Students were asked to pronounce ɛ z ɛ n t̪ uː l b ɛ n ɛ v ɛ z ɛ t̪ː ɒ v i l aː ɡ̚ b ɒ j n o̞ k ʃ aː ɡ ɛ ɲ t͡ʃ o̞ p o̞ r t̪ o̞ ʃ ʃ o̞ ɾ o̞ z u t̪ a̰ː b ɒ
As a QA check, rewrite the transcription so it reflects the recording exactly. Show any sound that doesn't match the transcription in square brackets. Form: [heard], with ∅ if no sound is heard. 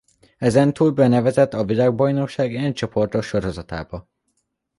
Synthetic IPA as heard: ɛ z ɛ n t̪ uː l b ɛ n ɛ v ɛ z ɛ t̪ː ɒ v i l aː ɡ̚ b ɒ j n o̞ k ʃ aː ɡ ɛ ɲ t͡ʃ o̞ p o̞ r t̪ o̞ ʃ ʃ o̞ ɾ o̞ z [ɒ] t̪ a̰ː b ɒ